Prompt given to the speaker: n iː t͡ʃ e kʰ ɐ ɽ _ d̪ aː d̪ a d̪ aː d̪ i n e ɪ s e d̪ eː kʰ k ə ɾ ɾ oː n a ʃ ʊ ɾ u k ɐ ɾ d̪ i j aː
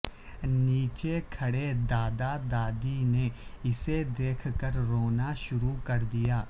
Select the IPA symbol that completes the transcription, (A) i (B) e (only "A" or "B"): B